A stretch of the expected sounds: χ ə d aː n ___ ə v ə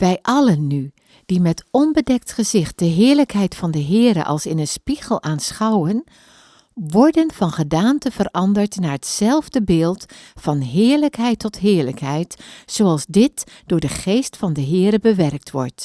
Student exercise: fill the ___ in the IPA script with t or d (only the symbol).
t